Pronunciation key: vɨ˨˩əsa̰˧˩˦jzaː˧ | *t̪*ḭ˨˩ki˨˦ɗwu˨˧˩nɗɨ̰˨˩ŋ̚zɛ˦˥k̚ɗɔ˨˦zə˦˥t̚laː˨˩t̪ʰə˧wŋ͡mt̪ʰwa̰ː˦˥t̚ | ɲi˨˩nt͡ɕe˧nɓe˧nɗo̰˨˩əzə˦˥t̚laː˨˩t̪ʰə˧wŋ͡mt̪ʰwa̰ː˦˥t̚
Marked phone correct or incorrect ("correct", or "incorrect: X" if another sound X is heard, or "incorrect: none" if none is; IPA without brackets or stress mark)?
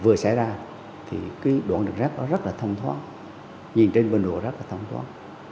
incorrect: t̪ʰ